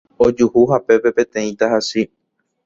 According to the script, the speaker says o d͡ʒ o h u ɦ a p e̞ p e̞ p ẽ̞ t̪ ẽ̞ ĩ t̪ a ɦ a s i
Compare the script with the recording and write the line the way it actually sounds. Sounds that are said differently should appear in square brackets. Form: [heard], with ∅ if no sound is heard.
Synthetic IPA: o d͡ʒ [u] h u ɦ a p e̞ p e̞ p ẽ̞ t̪ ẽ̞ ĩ t̪ a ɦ a s i